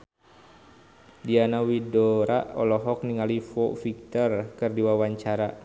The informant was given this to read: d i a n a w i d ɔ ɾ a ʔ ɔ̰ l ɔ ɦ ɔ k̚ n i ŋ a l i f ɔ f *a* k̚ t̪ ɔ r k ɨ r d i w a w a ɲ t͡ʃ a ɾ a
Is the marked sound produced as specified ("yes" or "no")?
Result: no